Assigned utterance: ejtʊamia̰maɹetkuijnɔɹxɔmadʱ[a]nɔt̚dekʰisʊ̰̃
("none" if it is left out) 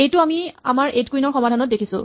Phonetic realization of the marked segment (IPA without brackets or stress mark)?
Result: a